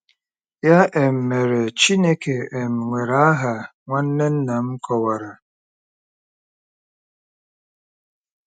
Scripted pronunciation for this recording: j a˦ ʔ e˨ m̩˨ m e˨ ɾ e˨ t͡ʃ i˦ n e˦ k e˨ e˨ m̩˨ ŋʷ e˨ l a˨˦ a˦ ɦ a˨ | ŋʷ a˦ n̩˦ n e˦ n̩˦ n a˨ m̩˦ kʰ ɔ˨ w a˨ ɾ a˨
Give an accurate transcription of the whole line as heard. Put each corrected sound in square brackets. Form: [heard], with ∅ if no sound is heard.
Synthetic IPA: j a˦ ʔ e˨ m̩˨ m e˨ ɾ e˨ t͡ʃ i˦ n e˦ k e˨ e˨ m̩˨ ŋʷ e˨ [ɾ] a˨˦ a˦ ɦ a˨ | ŋʷ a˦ n̩˦ n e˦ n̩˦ n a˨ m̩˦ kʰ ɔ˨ w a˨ ɾ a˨